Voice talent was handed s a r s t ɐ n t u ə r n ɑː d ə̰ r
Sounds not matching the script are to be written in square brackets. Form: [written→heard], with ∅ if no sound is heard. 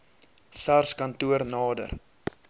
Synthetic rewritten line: s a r s [t→k] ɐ n t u ə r n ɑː d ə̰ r